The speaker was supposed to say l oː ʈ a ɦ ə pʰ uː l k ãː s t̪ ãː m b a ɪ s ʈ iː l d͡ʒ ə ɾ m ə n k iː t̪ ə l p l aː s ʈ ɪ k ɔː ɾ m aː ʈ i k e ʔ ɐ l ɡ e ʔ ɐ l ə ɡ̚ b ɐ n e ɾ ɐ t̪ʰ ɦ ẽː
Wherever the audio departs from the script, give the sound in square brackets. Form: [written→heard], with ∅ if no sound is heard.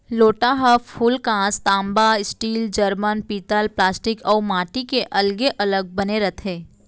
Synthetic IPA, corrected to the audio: l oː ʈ a ɦ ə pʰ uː l k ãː s t̪ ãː m b a ɪ s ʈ iː l d͡ʒ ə ɾ m ə n [k→p] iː t̪ ə l p l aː s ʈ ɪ k ɔː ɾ m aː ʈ i k e ʔ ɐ l ɡ e ʔ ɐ l ə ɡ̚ b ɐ n e ɾ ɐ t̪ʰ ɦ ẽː